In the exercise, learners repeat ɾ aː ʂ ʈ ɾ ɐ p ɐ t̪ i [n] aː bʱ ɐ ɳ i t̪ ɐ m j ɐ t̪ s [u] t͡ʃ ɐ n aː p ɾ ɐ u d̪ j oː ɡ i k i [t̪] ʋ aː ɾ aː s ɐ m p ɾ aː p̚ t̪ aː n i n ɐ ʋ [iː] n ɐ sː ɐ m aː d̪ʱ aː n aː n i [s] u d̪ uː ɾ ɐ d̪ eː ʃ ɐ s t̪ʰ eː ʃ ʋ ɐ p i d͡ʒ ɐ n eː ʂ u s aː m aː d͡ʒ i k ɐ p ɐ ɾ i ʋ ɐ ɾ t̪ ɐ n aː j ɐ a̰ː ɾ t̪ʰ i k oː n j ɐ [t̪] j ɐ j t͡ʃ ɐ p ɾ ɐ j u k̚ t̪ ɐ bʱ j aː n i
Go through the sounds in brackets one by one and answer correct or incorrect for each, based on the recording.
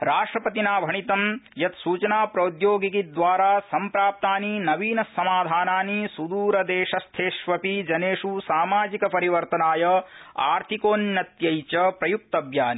correct, incorrect: uː, incorrect: d̪, correct, correct, correct

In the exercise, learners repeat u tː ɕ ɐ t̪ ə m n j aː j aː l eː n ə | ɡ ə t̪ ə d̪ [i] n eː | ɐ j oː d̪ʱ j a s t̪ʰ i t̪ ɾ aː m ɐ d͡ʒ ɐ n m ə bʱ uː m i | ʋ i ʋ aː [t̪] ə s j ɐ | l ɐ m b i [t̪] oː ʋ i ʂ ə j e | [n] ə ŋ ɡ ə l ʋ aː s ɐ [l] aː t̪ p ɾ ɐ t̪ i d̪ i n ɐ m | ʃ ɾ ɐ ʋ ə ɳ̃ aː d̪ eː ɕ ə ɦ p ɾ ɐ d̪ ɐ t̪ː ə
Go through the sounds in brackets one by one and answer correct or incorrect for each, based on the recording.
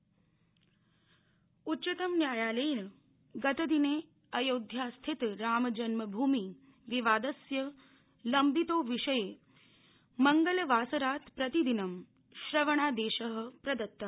correct, incorrect: d̪, correct, incorrect: m, incorrect: ɾ

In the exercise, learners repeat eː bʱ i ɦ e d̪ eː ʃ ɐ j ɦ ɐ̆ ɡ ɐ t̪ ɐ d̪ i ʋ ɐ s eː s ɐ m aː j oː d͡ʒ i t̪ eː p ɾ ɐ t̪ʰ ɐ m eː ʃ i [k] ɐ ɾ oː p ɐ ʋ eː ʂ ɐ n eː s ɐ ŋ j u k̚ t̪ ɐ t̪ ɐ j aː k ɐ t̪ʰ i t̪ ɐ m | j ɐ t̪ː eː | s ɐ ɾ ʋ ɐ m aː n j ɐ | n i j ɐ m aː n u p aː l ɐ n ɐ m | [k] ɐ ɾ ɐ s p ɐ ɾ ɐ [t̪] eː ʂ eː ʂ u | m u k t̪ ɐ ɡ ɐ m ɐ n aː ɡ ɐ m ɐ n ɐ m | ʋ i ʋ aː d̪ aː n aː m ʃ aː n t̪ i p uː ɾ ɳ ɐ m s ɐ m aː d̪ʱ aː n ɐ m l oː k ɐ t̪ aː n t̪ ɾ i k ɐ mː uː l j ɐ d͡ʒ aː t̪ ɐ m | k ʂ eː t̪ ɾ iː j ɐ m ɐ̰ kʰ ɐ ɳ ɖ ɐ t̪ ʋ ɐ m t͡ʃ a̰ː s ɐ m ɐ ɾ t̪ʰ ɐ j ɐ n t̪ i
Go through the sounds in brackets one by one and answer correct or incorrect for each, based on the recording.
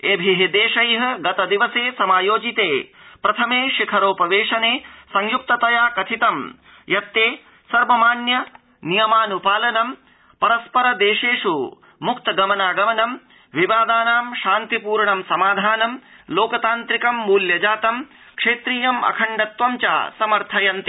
incorrect: kʰ, incorrect: p, incorrect: d̪

